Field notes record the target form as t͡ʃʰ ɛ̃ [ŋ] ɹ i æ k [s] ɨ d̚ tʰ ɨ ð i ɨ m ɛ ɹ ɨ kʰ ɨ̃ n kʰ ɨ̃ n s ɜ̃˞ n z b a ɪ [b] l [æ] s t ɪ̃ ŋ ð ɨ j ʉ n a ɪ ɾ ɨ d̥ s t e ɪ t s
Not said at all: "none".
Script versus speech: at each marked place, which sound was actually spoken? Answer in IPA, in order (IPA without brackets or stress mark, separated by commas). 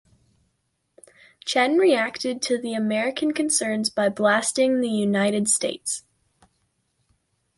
n, t, b, æ